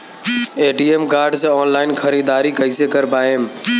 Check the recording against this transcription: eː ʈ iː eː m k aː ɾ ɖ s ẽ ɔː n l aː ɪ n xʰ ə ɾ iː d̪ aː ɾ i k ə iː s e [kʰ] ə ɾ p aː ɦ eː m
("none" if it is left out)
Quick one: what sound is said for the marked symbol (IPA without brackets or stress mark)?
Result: k